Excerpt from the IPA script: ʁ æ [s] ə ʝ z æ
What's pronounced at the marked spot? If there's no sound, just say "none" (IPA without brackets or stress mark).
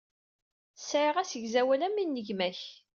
s